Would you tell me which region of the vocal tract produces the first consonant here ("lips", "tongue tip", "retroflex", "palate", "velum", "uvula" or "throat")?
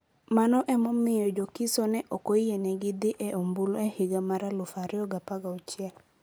lips